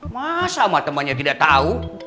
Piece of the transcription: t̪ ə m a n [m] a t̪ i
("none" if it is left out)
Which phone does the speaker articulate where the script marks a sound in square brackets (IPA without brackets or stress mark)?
ɲ